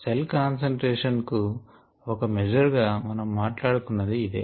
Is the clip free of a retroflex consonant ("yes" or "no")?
no